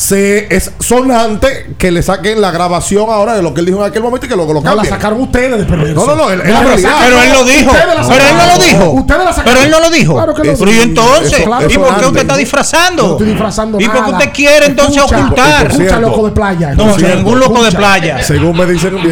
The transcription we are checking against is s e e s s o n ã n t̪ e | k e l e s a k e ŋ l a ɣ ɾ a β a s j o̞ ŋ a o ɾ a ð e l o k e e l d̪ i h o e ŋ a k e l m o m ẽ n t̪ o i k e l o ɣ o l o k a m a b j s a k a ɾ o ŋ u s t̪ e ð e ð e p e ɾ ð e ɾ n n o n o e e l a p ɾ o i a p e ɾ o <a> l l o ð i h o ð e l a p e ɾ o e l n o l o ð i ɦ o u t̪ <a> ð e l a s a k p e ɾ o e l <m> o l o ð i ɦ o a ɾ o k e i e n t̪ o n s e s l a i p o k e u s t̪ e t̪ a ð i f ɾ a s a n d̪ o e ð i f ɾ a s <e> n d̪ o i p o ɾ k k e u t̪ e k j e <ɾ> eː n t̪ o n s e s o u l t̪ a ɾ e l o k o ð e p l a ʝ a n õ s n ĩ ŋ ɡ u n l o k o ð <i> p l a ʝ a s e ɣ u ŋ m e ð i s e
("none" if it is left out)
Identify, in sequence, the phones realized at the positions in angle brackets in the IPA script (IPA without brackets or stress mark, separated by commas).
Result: e, e, n, a, ɾ, e